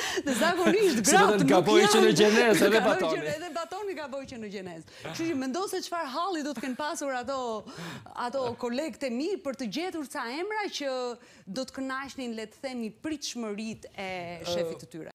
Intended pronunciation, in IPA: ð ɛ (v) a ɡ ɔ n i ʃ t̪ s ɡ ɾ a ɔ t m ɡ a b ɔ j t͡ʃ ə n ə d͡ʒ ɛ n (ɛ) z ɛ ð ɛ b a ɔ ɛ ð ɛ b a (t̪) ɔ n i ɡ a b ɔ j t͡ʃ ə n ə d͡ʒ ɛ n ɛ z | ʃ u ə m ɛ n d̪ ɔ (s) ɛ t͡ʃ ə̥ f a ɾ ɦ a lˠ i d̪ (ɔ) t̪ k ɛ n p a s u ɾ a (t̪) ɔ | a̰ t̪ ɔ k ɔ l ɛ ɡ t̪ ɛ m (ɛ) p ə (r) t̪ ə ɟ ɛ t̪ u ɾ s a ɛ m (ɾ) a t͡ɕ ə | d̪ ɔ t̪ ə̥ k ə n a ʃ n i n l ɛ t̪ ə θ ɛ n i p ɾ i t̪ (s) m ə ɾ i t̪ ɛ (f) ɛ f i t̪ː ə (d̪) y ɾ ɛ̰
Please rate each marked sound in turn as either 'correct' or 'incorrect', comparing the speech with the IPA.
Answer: incorrect, correct, correct, correct, correct, correct, incorrect, incorrect, correct, incorrect, incorrect, incorrect

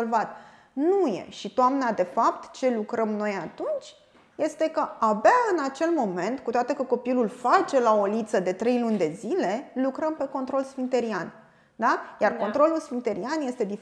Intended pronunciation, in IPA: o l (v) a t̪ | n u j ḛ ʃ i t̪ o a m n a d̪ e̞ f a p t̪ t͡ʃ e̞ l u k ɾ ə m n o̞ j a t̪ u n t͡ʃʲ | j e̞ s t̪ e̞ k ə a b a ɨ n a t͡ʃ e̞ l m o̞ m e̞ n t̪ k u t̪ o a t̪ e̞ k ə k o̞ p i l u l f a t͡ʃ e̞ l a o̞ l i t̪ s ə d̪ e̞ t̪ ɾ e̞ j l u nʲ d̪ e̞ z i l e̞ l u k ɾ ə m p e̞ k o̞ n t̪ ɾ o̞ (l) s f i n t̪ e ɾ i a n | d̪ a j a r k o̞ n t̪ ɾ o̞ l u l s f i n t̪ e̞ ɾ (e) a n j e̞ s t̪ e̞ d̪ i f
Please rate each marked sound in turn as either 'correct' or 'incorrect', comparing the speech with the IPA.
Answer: correct, correct, incorrect

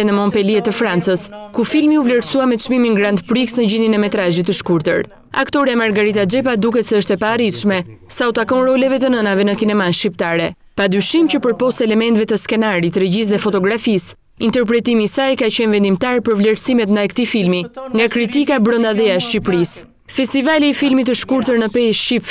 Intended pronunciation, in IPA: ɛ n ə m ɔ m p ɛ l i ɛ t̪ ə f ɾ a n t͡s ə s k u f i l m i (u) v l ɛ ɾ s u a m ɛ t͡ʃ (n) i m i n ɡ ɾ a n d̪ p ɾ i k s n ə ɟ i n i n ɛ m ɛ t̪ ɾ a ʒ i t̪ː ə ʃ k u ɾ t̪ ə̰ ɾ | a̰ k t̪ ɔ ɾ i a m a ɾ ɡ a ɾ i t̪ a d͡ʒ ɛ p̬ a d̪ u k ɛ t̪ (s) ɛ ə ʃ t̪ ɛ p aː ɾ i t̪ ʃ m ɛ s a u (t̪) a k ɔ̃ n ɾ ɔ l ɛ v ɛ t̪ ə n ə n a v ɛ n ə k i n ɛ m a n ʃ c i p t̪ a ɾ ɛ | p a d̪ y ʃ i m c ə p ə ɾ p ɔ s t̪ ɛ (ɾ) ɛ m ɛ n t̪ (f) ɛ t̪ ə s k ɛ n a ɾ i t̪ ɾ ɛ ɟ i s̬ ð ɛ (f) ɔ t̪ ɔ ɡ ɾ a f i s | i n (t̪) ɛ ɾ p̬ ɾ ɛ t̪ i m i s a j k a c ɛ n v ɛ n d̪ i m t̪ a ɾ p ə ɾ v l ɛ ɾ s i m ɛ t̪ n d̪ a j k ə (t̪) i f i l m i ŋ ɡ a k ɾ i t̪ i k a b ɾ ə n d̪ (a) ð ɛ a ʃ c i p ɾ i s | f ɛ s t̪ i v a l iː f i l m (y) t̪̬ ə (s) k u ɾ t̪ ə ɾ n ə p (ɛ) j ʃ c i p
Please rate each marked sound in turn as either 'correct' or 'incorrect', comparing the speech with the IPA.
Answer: correct, incorrect, correct, correct, incorrect, incorrect, correct, correct, correct, correct, incorrect, incorrect, correct

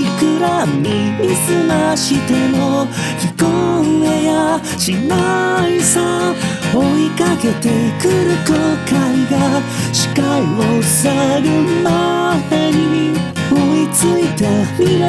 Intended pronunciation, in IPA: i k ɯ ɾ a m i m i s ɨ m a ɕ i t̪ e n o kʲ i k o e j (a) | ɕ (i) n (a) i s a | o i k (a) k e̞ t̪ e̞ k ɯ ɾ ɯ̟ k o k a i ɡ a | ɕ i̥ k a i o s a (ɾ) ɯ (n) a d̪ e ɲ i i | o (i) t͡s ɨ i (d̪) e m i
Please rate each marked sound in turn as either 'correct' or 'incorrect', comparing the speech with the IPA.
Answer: correct, correct, correct, correct, correct, incorrect, correct, incorrect

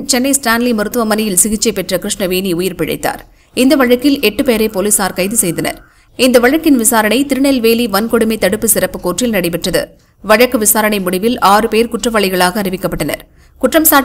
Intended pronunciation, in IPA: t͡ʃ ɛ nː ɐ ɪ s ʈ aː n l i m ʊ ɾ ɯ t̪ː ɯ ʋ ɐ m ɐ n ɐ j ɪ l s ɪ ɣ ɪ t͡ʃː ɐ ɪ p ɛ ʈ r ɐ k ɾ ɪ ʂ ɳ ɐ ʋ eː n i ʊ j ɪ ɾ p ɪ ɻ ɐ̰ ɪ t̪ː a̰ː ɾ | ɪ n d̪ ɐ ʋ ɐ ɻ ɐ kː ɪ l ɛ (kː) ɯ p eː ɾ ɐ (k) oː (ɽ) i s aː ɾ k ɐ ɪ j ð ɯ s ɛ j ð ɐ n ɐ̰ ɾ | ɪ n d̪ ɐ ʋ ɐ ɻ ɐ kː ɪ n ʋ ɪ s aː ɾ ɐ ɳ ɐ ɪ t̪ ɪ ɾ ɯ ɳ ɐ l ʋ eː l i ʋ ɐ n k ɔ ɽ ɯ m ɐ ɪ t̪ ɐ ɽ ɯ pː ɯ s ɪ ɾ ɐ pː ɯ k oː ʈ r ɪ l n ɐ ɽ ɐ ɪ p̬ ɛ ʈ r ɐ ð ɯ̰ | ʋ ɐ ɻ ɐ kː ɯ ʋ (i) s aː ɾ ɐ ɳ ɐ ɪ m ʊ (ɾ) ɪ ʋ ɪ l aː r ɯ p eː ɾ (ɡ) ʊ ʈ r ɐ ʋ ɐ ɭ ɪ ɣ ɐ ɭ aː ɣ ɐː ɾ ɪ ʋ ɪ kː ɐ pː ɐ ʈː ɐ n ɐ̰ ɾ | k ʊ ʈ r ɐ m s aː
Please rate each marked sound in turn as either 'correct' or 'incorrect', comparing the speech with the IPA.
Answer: incorrect, incorrect, incorrect, incorrect, incorrect, incorrect

